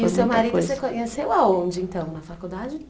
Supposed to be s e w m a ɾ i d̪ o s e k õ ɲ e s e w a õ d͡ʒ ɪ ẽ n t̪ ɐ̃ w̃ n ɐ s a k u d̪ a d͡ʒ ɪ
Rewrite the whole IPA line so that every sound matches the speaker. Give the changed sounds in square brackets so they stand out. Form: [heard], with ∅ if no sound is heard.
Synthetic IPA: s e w m a ɾ i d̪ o s e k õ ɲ e s e w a õ d͡ʒ ɪ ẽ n t̪ ɐ̃ w̃ n ɐ [f] a k u d̪ a d͡ʒ ɪ